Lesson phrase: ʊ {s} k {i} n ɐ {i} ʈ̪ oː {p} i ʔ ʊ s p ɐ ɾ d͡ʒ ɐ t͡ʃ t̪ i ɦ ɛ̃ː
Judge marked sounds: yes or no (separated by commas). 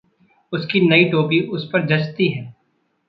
yes, yes, yes, yes